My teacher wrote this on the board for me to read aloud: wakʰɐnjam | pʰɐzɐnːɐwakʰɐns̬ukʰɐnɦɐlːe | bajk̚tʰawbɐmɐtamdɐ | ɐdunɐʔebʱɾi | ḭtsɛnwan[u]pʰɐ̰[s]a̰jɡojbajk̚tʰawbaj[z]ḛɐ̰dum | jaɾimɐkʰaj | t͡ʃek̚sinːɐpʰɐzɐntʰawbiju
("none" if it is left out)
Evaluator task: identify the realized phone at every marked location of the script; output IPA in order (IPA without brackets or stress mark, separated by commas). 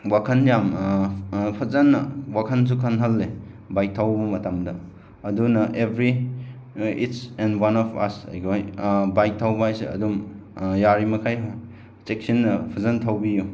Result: ɔ, s, s